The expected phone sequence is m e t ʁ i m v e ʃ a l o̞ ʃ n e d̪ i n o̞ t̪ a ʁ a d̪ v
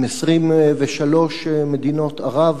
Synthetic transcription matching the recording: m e s ʁ i m v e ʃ a l o̞ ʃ m e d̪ i n o̞ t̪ a ʁ a v